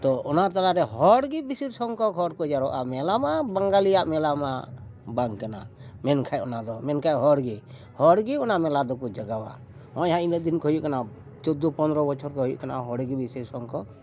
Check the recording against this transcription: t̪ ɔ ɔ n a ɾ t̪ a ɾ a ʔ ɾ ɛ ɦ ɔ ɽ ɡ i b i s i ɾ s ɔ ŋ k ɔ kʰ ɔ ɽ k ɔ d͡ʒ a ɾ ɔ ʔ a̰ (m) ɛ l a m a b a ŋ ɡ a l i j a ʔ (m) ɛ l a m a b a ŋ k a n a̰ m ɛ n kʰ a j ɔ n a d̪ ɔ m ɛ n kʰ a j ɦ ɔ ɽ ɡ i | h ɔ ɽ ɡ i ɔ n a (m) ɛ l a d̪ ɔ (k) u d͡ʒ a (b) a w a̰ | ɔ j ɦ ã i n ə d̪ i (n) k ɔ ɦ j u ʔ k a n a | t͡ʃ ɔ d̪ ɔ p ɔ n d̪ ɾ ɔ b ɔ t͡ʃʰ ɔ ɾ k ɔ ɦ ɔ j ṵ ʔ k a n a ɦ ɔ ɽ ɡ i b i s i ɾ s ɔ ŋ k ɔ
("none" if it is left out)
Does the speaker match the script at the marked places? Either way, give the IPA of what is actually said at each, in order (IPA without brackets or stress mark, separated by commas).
m, m, m, k, ɡ, n